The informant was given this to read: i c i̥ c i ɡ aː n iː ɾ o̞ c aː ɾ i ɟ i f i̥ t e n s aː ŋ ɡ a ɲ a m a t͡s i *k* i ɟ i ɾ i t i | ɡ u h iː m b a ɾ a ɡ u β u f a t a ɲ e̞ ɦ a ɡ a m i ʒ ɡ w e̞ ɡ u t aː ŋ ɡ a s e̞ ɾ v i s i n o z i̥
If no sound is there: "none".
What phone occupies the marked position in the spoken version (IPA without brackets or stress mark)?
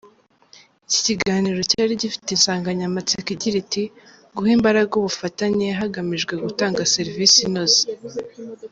k